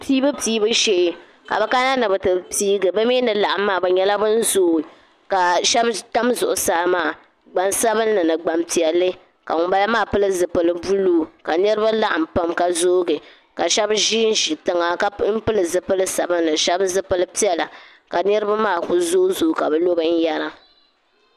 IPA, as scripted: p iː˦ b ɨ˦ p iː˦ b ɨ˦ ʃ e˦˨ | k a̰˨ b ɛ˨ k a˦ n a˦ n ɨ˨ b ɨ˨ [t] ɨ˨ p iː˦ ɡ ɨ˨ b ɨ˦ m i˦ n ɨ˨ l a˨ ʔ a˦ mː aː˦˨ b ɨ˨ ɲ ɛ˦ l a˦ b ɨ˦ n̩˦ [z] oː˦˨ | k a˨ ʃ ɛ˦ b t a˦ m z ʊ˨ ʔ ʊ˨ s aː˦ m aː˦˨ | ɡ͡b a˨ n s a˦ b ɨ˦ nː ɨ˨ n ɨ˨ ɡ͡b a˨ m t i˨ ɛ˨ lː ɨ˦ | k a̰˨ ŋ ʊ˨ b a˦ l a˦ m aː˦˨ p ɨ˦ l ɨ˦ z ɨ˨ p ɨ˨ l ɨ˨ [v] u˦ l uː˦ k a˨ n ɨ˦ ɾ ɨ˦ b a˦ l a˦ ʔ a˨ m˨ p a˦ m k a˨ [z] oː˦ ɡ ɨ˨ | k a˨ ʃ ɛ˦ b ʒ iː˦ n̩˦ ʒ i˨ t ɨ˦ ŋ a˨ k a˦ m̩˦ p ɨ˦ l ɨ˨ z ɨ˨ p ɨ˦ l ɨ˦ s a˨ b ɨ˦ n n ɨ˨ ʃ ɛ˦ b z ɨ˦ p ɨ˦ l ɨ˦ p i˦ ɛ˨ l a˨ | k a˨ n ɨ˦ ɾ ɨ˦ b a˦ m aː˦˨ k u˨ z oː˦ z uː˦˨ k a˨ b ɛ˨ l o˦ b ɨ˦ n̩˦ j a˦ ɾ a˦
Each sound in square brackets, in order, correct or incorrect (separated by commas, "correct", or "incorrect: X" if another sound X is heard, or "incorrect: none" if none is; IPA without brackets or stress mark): correct, correct, incorrect: b, correct